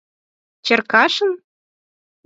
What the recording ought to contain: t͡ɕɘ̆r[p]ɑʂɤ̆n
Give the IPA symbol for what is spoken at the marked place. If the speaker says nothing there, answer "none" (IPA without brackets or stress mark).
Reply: k